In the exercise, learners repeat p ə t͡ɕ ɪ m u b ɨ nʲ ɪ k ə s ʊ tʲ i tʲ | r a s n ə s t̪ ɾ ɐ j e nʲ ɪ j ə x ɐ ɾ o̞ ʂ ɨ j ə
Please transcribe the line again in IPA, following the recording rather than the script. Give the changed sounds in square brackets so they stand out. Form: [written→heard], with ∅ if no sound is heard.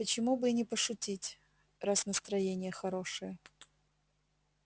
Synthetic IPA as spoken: p ə t͡ɕ ɪ m u b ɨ nʲ ɪ [k→p] ə [s→ʂ] ʊ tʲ i tʲ | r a s n ə s t̪ ɾ ɐ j e nʲ ɪ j ə x ɐ ɾ o̞ ʂ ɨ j ə

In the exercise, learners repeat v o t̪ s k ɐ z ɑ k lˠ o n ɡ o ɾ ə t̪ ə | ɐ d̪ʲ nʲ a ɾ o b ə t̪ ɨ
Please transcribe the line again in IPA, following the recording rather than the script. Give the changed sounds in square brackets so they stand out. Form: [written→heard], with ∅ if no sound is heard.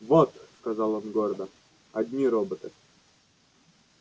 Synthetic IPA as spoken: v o t̪ s k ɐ z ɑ [k→∅] lˠ o n ɡ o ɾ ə [t̪→d̪] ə | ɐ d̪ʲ nʲ [a→i] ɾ o b ə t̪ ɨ

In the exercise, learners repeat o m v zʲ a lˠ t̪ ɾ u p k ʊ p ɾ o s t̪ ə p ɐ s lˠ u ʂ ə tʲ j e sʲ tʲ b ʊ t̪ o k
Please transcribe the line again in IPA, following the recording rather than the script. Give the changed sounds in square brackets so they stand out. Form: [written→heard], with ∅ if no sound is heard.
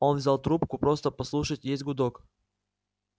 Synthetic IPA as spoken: o [m→n] v zʲ a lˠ t̪ ɾ u p k ʊ p ɾ o s t̪ ə p ɐ s lˠ u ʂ ə tʲ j e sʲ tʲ [b→ɡ] ʊ [t̪→d̪] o k

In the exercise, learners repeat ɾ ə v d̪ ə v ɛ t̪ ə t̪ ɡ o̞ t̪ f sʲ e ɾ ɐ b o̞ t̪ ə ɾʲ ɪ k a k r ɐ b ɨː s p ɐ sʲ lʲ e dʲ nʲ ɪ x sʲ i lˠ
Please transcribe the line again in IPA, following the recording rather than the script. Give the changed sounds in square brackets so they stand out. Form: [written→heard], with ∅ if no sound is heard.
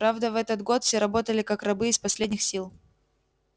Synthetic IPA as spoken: ɾ [ə→a] v d̪ ə v ɛ t̪ ə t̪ ɡ o̞ t̪ f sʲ e ɾ ɐ b o̞ t̪ ə [ɾʲ→lʲ] ɪ k a k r ɐ b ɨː s p ɐ sʲ lʲ e dʲ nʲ ɪ x sʲ i lˠ

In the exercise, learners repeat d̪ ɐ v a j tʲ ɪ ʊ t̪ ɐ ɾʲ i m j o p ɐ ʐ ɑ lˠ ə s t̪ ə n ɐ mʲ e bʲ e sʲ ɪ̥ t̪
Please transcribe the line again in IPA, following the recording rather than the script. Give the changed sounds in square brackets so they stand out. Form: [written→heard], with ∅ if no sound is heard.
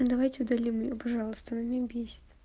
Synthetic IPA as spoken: d̪ ɐ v a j tʲ ɪ ʊ [t̪→d̪] ɐ [ɾʲ→lʲ] i m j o p ɐ ʐ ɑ lˠ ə s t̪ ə n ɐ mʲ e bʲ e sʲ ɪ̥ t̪

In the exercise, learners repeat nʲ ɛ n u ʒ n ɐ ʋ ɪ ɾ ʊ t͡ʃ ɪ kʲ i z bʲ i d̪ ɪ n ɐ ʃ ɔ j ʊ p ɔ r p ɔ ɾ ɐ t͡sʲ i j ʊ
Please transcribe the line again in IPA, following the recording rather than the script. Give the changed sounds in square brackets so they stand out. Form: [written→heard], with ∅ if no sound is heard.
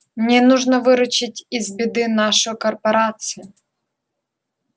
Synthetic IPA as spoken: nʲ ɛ n u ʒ n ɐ ʋ ɪ ɾ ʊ t͡ʃ ɪ [kʲ→tʲ] i z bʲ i d̪ ɪ n [ɐ→ɑ] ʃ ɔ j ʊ [p→k] ɔ r p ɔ ɾ [ɐ→ɑ] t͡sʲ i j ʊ

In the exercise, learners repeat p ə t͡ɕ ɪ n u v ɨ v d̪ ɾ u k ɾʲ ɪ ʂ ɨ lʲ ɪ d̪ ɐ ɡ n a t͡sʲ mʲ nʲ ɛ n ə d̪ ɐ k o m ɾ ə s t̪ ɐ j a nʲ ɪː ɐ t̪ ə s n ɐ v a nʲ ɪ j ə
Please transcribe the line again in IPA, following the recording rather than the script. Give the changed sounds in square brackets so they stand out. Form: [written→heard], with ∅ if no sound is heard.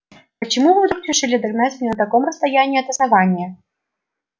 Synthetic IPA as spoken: p ə t͡ɕ ɪ [n→m] u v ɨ v d̪ ɾ u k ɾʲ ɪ ʂ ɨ lʲ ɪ d̪ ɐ ɡ n a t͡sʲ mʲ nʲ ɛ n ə [d̪→t̪] ɐ k o m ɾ ə s t̪ ɐ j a nʲ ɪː ɐ t̪ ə s n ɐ v a nʲ ɪ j ə

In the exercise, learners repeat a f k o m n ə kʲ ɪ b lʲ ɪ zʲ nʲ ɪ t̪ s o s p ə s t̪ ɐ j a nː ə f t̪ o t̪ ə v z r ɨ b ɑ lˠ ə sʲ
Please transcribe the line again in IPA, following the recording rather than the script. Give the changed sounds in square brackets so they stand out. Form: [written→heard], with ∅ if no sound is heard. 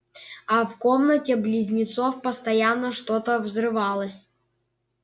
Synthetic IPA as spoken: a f k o m n ə [kʲ→tʲ] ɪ b lʲ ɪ zʲ nʲ ɪ t̪ s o [s→f] p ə s t̪ ɐ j a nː ə [f→ʂ] t̪ o t̪ ə v z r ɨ [b→v] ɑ lˠ ə sʲ

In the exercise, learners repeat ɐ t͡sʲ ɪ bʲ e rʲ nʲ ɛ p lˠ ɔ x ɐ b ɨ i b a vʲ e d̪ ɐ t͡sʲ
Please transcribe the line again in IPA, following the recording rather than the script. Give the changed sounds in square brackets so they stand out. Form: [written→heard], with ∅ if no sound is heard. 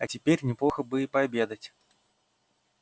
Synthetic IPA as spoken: ɐ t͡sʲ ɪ [bʲ→pʲ] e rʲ nʲ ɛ p lˠ ɔ x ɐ b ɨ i [b→p] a [vʲ→bʲ] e d̪ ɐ t͡sʲ

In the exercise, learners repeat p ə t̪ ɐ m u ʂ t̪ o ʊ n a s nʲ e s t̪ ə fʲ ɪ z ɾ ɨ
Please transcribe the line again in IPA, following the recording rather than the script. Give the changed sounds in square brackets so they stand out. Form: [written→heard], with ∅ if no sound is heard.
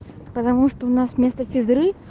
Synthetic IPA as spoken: p ə t̪ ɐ m u ʂ t̪ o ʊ n a s [nʲ→mʲ] e s t̪ ə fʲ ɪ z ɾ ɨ

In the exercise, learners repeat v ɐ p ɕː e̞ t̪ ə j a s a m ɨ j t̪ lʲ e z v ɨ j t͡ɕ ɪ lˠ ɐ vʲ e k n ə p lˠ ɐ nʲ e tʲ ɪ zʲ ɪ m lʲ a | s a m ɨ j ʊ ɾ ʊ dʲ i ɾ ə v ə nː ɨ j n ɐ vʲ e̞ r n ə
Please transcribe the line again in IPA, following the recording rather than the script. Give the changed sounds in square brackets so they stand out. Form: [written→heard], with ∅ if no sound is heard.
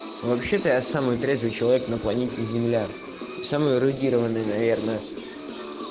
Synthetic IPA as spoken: v ɐ p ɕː e̞ t̪ ə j a s a m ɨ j t̪ [lʲ→ɾʲ] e z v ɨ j t͡ɕ ɪ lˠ ɐ vʲ e k n ə p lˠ ɐ nʲ e tʲ ɪ zʲ ɪ m lʲ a | s a m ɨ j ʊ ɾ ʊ dʲ i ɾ ə v ə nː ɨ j n ɐ vʲ e̞ r n ə

